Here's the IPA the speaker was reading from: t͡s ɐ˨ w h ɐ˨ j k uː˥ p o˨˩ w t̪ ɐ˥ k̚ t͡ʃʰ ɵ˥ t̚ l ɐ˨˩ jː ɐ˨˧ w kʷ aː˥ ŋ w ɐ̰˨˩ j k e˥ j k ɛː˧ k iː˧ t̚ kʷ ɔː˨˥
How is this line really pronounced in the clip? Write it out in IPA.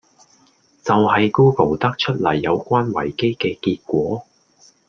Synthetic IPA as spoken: t͡s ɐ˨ w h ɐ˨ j k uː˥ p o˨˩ w t̪ ɐ˥ k̚ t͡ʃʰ ɵ˥ t̚ l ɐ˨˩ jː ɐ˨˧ w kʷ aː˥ n w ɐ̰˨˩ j k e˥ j k ɛː˧ k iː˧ t̚ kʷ ɔː˨˥